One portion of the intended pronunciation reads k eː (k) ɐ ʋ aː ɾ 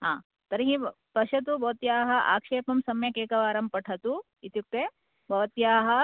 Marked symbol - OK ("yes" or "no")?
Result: yes